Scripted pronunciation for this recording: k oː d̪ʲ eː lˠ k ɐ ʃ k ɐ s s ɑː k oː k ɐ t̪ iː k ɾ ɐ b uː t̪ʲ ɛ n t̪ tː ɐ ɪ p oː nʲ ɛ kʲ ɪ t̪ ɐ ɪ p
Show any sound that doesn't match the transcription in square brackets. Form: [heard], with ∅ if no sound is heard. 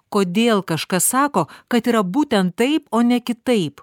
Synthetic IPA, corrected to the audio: k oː d̪ʲ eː lˠ k ɐ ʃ k ɐ s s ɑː k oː k ɐ t̪ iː [∅] ɾ ɐ b uː t̪ʲ ɛ n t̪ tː ɐ ɪ p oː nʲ ɛ kʲ ɪ t̪ ɐ ɪ p